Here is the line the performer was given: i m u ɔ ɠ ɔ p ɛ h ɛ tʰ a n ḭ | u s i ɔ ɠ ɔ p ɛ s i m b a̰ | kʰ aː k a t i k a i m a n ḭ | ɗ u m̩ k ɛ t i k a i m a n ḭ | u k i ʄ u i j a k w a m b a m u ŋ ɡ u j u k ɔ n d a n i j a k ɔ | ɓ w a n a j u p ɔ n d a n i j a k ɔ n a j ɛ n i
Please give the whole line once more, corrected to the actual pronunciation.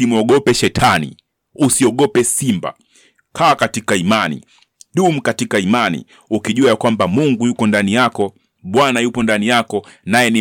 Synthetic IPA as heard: i m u ɔ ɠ ɔ p ɛ ʃ ɛ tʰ a n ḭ | u s i ɔ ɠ ɔ p ɛ s i m b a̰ | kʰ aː k a t i k a i m a n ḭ | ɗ u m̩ k a t i k a i m a n ḭ | u k i ʄ u a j a k w a m b a m u ŋ ɡ u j u k ɔ n d a n i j a k ɔ | ɓ w a n a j u p ɔ n d a n i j a k ɔ n a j ɛ n i